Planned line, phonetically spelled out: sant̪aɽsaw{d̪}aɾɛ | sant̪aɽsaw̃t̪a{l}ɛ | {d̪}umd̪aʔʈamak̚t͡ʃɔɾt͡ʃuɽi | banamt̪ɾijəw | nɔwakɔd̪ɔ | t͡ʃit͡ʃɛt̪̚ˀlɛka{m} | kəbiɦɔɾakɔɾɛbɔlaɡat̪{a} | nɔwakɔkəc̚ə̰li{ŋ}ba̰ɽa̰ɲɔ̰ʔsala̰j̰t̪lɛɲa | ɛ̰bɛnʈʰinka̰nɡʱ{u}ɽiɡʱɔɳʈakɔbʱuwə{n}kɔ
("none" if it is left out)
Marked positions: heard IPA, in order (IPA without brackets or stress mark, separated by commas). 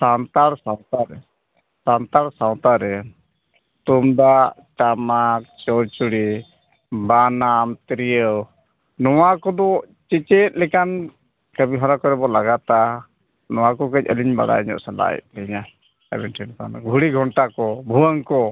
t̪, ɾ, t̪, n, a, ɲ, u, ŋ